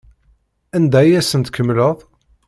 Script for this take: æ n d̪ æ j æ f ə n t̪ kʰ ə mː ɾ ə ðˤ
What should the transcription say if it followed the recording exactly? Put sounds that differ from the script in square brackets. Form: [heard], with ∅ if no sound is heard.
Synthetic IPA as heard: æ n d̪ æ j æ [s] ə n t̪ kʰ ə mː [l] ə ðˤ